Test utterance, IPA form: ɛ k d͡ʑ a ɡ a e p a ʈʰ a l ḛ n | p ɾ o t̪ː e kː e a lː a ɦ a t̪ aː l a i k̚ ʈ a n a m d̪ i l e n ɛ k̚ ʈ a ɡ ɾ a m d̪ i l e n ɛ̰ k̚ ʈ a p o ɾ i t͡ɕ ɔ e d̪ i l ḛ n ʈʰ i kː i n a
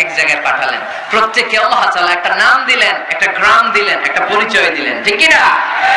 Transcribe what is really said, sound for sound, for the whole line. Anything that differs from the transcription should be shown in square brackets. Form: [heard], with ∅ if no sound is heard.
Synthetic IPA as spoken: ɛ k d͡ʑ a ɡ a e p a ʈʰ a l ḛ n | p ɾ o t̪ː e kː e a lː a ɦ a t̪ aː l a [ɛ] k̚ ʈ a n a m d̪ i l e n ɛ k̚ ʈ a ɡ ɾ a m d̪ i l e n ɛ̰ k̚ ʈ a p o ɾ i t͡ɕ ɔ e d̪ i l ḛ n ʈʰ i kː i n a